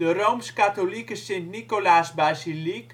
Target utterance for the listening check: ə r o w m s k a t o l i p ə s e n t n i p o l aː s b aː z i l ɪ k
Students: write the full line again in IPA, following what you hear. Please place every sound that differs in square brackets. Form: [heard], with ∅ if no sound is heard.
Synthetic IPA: ə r o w m s k a t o l i [k] ə s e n t n i [k] o l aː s b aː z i l [i] k